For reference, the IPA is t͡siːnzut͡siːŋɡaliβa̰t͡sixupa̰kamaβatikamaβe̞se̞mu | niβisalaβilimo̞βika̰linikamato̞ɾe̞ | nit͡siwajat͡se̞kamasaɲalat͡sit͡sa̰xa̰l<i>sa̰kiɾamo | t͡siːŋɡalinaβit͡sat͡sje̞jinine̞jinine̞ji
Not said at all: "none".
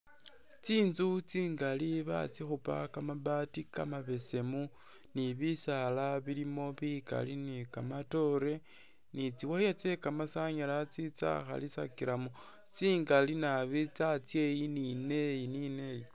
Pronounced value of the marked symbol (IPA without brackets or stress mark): i